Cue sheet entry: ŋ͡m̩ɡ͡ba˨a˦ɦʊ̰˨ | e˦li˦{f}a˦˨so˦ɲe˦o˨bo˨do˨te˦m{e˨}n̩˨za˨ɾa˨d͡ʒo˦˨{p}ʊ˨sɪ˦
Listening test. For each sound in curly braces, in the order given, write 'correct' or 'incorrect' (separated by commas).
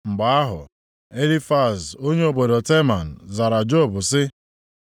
correct, incorrect, incorrect